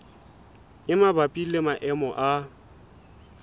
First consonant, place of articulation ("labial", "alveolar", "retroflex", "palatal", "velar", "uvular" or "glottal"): labial